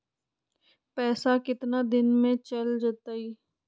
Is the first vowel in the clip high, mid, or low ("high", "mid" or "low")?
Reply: mid